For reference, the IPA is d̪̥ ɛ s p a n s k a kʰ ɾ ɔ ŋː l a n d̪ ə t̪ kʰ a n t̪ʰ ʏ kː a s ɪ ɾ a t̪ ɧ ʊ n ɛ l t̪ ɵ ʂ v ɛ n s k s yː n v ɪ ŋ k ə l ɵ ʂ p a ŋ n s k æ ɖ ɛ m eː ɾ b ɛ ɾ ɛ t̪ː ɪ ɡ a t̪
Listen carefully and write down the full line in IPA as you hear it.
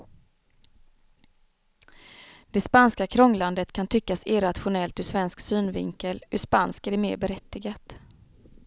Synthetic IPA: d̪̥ ɛ s p a n s k a kʰ ɾ ɔ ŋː l a n d̪ ə t̪ kʰ a n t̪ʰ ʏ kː a s ɪ ɾ a t̪ ɧ ʊ n ɛ l t̪ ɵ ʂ v ɛ n s k s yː n v ɪ ŋ k ə l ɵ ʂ p a n s k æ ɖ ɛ m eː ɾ b ɛ ɾ ɛ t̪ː ɪ ɡ a t̪